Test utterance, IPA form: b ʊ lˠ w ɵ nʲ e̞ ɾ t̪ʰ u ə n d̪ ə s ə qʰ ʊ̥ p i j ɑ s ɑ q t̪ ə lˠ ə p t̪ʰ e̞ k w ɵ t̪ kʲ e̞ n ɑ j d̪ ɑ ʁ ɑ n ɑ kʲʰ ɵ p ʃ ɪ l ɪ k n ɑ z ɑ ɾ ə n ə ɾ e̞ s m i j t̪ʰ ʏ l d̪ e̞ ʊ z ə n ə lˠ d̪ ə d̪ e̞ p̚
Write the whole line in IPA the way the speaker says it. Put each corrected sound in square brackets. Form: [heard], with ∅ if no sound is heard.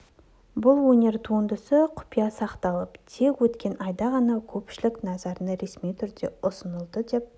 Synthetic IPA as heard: b ʊ lˠ w ɵ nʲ e̞ ɾ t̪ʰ u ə n d̪ ə s ə qʰ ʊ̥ p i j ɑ s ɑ q t̪ [ɑ] lˠ ə p t̪ʰ e̞ k w ɵ t̪ kʲ e̞ n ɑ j d̪ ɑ ʁ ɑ n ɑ kʲʰ ɵ p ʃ ɪ l ɪ k n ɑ z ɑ ɾ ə n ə ɾ e̞ s m i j t̪ʰ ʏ [ɾ] d̪ e̞ ʊ [s] ə n ə lˠ d̪ ə d̪ e̞ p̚